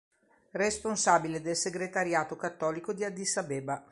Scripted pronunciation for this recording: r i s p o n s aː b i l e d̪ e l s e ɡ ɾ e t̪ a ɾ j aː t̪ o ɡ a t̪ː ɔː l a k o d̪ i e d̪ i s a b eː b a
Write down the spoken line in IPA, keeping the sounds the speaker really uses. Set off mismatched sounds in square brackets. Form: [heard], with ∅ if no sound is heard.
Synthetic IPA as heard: r [e] s p o n s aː b i l e d̪ e l s e ɡ ɾ e t̪ a ɾ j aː t̪ o [k] a t̪ː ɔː l [i] k o d̪ i [a] d̪ i s a b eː b a

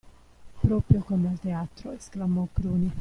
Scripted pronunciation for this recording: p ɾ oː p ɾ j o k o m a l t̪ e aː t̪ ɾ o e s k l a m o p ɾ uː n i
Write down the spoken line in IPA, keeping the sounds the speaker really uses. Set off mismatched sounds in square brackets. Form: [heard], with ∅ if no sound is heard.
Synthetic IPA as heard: p ɾ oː p ɾ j o k o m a l t̪ e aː t̪ ɾ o e s k l a m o [k] ɾ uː n i

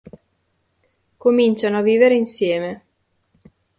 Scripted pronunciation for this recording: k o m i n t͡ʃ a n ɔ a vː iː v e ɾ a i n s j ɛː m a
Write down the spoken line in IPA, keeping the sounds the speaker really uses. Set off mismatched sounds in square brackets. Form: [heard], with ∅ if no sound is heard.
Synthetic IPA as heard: k o m i n t͡ʃ a n [o] a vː iː v e ɾ [e] i n s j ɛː m [e]

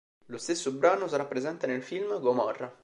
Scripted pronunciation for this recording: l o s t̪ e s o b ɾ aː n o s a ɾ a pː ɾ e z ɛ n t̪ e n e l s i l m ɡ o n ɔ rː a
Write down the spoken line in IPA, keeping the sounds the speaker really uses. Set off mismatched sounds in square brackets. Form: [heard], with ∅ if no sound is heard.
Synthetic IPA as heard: l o s t̪ e [sː] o b ɾ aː n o s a ɾ a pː ɾ e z ɛ n t̪ e n e l [f] i l m ɡ o [m] ɔ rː a

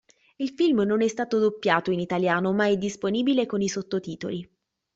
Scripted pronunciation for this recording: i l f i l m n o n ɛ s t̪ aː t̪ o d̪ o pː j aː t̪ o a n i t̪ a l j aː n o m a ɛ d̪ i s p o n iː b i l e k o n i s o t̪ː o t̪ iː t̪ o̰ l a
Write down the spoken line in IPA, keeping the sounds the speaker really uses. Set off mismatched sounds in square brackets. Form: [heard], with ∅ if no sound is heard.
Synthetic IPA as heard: i l f i l m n o n ɛ s t̪ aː t̪ o d̪ o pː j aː t̪ o [i] n i t̪ a l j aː n o m a ɛ d̪ i s p o n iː b i l e k o n i s o t̪ː o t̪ iː t̪ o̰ l [i]

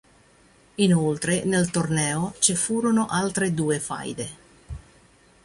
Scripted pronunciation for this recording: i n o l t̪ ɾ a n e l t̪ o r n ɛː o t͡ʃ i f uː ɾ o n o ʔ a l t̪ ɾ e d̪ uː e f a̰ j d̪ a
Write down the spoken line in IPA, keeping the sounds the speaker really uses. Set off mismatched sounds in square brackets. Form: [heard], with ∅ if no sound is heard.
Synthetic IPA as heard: i n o l t̪ ɾ [e] n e l t̪ o r n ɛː o t͡ʃ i f uː ɾ o n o ʔ a l t̪ ɾ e d̪ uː e f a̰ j d̪ [e]

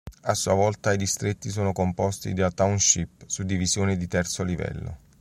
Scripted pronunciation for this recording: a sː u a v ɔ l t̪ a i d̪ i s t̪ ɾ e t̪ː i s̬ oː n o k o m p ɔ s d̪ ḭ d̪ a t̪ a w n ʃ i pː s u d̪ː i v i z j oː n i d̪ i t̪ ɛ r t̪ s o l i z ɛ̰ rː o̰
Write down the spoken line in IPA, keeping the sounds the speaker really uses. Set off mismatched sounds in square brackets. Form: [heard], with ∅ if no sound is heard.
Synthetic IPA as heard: a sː u a v ɔ l t̪ a i d̪ i s t̪ ɾ e t̪ː i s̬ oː n o k o m p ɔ s [t̪] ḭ d̪ a t̪ a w n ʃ i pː s u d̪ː i v i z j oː n i d̪ i t̪ ɛ r t̪ s o l i [v] ɛ̰ [lː] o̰

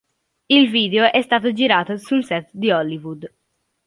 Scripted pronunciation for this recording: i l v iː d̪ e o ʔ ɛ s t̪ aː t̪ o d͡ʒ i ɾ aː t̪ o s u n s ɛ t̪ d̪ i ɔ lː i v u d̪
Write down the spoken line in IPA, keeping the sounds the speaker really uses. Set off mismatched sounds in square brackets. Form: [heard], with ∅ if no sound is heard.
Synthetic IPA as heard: i l v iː d̪ e o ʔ ɛ s t̪ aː t̪ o d͡ʒ i ɾ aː t̪ o s u n s ɛ t̪ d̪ i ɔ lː i v u d̪

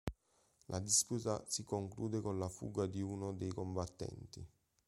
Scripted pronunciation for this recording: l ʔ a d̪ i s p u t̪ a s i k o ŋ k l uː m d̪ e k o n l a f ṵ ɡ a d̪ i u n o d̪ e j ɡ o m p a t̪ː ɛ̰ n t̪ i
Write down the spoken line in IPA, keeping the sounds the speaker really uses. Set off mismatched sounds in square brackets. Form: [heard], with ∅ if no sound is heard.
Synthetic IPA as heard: l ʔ a d̪ i s p u t̪ a s i k o ŋ k l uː [∅] d̪ e k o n l a f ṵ ɡ a d̪ i u n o d̪ e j [k] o m [b] a t̪ː ɛ̰ n t̪ i

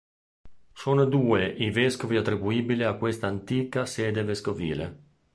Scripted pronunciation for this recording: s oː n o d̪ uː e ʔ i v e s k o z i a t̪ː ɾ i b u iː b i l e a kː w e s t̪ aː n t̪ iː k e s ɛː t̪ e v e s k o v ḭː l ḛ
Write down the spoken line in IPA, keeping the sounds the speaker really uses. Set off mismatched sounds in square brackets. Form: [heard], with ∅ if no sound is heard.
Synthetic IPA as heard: s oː n o d̪ uː e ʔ i v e s k o [v] i a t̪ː ɾ i b u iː b i l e a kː w e s t̪ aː n t̪ iː k [a] s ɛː [d̪] e v e s k o v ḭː l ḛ

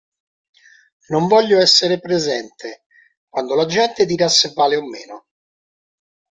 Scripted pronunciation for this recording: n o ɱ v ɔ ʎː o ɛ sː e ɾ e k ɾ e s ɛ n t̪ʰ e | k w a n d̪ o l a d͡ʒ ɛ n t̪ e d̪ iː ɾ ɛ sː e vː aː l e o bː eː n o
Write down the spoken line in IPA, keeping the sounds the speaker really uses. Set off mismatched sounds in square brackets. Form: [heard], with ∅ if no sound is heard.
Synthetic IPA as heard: n o ɱ v ɔ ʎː o ɛ sː e ɾ e [p] ɾ e [z] ɛ n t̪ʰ e | k w a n d̪ o l a d͡ʒ ɛ n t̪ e d̪ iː ɾ [a] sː e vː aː l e o [mː] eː n o

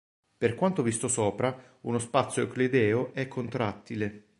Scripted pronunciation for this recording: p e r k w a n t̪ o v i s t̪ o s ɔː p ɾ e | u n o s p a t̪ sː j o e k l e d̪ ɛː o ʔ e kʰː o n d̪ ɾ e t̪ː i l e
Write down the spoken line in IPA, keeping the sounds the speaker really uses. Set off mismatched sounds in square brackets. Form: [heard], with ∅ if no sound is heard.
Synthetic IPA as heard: p e r k w a n t̪ o v i s t̪ o s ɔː p ɾ [a] | u n o s p a t̪ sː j o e k l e d̪ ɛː o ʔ [ɛ] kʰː o n [t̪] ɾ [a] t̪ː i l e

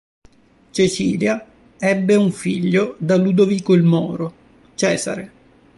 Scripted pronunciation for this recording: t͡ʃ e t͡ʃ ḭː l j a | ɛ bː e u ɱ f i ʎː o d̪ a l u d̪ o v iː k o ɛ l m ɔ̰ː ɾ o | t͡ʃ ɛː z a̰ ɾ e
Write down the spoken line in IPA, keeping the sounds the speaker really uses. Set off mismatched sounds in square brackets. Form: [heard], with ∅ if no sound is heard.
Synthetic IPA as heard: t͡ʃ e t͡ʃ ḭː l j a | ɛ bː e u ɱ f i ʎː o d̪ a l u d̪ o v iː k o [i] l m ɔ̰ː ɾ o | t͡ʃ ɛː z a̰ ɾ e

